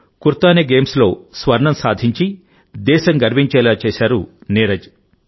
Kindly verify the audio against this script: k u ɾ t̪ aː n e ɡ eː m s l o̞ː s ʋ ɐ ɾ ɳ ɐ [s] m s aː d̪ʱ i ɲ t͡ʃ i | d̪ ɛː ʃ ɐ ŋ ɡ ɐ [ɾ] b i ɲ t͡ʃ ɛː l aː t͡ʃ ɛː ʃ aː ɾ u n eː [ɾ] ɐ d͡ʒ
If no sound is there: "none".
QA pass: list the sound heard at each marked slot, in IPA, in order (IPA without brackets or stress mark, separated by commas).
none, ɾ, ɾ